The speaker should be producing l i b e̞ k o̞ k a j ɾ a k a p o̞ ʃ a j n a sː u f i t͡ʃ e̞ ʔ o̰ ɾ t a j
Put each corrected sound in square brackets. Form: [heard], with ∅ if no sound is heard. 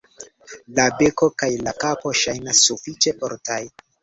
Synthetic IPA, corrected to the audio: l [a] b e̞ k o̞ k a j [l] a k a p o̞ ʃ a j n a sː u f i t͡ʃ e̞ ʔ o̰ ɾ t a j